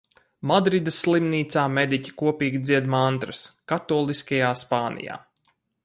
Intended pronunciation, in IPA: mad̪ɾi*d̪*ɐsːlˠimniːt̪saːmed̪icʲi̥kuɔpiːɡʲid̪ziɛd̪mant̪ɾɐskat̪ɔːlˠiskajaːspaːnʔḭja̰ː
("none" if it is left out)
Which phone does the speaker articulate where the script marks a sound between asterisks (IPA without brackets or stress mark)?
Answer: d̪